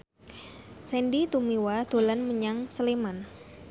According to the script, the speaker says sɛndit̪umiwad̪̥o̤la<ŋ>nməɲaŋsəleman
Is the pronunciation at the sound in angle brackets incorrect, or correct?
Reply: incorrect